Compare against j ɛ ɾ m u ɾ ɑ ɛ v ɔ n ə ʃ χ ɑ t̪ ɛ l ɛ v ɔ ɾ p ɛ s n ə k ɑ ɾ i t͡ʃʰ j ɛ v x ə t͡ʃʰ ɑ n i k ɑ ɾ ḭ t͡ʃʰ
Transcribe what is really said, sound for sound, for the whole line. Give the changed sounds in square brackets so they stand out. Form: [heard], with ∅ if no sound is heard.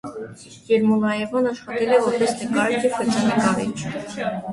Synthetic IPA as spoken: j ɛ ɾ m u [l] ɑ ɛ v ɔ n [ɑ] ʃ χ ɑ t̪ ɛ l ɛ v ɔ ɾ p ɛ s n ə k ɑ ɾ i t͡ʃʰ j ɛ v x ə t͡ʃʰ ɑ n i k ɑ ɾ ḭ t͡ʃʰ